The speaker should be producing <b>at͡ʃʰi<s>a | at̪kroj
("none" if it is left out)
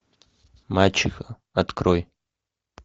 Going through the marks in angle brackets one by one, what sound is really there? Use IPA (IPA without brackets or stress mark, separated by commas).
m, x